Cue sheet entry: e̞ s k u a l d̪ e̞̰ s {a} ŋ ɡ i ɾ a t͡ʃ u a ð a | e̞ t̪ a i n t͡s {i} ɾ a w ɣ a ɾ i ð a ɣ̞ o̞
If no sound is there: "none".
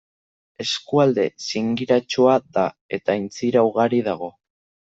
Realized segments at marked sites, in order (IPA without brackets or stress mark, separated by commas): i, i